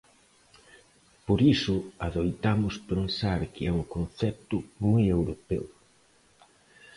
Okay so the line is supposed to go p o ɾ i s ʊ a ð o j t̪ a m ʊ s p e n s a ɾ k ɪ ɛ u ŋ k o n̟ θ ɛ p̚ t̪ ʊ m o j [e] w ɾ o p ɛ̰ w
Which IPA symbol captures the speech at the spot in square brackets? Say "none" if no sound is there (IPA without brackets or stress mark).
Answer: e